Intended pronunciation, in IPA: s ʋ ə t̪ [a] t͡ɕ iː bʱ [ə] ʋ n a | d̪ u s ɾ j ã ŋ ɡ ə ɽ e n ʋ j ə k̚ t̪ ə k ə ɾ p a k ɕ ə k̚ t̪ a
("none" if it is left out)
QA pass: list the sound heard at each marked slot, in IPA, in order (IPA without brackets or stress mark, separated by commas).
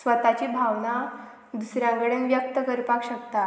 a, a